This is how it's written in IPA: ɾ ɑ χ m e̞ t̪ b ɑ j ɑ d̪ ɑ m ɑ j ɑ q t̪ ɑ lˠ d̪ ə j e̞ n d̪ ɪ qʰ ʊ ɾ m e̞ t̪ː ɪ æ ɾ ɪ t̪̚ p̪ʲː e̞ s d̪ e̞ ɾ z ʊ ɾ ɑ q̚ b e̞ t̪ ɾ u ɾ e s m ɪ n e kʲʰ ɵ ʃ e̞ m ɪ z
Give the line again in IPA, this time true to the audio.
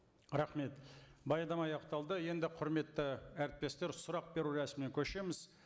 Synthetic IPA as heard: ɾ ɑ χ m e̞ t̪ b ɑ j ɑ d̪ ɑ m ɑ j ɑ q t̪ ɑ lˠ d̪ ə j e̞ n d̪ ɪ qʰ ʊ ɾ m e̞ t̪ː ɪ æ ɾ ɪ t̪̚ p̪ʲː e̞ s t̪ e̞ ɾ s ʊ ɾ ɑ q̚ b e̞ ɾ u ɾ æ s m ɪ n e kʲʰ ɵ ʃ e̞ m ɪ z